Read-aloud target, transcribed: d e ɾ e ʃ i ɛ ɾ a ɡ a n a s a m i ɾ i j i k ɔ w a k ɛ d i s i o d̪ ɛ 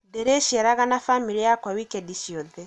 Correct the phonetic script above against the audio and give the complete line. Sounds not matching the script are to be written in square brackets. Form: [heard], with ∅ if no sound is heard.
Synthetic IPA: d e ɾ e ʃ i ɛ ɾ a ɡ a n a [f] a m i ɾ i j [a] k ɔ w [i] k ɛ d i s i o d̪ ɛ